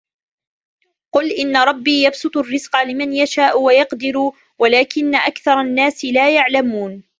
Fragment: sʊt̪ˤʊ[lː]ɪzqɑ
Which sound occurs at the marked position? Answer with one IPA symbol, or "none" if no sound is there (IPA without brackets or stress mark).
rː